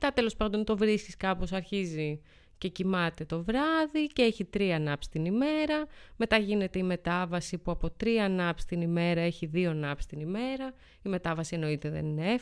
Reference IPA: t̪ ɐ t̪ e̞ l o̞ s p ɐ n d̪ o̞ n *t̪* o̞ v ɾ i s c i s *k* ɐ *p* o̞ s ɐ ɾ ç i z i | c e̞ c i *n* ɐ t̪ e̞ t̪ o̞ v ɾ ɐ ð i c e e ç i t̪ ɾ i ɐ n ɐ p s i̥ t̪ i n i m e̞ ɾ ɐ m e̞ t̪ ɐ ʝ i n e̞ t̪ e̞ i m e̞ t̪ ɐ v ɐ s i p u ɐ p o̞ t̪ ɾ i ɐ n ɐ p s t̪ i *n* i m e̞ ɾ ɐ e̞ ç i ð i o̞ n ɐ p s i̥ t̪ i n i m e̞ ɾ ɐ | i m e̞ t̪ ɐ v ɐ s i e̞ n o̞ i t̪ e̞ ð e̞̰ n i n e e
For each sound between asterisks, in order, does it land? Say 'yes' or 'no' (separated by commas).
yes, yes, yes, no, yes